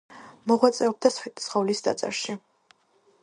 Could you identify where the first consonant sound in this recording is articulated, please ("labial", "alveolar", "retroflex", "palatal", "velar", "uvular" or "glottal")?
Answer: labial